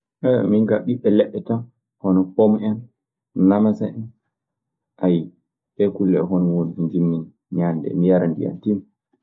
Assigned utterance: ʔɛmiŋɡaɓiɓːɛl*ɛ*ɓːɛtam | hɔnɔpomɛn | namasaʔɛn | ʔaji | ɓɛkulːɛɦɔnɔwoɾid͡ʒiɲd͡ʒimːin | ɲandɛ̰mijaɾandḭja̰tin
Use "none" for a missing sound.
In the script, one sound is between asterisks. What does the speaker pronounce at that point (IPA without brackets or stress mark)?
ɛ